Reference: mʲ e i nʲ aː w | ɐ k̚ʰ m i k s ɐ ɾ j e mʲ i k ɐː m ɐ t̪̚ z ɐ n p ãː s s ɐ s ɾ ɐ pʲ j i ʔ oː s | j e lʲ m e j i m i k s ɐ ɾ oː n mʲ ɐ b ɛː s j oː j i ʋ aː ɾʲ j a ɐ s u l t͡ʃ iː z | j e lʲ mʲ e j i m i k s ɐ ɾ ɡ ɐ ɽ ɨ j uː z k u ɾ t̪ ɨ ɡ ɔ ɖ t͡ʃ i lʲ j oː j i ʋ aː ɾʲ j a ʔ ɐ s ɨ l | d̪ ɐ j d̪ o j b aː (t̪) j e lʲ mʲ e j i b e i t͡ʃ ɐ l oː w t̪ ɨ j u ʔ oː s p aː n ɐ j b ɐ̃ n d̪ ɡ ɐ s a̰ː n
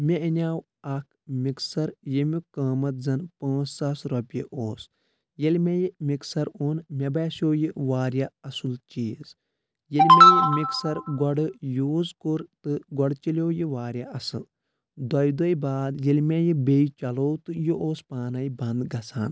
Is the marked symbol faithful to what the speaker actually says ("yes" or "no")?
no